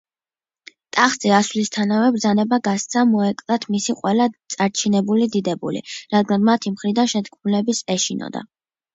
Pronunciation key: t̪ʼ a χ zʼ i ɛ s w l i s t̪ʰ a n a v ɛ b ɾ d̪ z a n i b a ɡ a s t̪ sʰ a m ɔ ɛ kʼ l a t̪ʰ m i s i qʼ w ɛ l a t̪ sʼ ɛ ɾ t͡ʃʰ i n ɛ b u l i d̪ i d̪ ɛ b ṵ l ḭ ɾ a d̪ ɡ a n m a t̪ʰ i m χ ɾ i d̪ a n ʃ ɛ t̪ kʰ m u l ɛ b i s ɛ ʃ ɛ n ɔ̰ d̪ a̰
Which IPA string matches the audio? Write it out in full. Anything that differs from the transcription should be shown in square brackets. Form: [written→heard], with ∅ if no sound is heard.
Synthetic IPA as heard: t̪ʼ a χ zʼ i [ɛ→a] s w l i s t̪ʰ a n a v ɛ b ɾ d̪ z a n [i→ɛ] b a ɡ a s t̪ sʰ a m ɔ ɛ kʼ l a t̪ʰ m i s i qʼ w ɛ l a t̪ sʼ [ɛ→a] ɾ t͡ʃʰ i n ɛ b u l i d̪ i d̪ ɛ b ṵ l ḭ ɾ a d̪ ɡ a n m a t̪ʰ i m χ ɾ i d̪ a n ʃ ɛ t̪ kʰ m u l ɛ b i s ɛ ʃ [ɛ→i] n ɔ̰ d̪ a̰